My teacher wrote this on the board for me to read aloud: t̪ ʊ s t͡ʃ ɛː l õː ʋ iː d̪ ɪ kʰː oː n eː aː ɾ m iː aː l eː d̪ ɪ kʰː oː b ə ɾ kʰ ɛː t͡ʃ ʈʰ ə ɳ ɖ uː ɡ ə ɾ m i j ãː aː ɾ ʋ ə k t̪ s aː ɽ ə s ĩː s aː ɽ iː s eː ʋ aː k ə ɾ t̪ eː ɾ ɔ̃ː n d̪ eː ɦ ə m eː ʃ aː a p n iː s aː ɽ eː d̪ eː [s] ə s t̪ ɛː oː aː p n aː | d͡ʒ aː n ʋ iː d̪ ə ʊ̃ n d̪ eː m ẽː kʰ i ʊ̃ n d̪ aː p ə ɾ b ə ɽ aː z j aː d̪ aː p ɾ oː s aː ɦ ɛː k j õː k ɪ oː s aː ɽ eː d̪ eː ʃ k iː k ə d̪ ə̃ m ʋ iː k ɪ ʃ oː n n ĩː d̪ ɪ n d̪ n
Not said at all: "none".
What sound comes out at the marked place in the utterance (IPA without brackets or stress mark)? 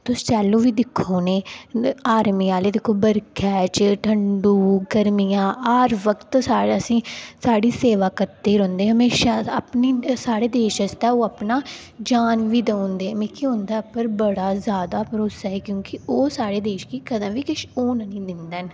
ʃ